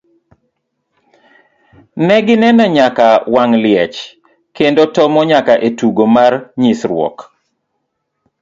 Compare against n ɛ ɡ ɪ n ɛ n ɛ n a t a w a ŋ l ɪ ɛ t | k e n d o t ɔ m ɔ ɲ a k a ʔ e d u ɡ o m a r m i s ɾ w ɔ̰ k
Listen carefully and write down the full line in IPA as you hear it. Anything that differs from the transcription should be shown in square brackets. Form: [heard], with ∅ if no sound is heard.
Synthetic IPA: n ɛ ɡ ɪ n ɛ n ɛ [ɲ] a [k] a w a ŋ l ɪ ɛ [t͡ʃ] | k e n d o t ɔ m ɔ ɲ a k a ʔ e [t] u ɡ o m a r [ɲ] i s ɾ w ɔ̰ k